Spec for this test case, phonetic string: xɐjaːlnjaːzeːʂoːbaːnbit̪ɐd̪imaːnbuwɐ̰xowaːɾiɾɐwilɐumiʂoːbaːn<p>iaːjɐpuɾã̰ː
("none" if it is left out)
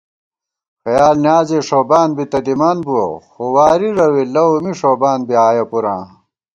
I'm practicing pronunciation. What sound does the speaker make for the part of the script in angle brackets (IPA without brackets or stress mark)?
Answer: b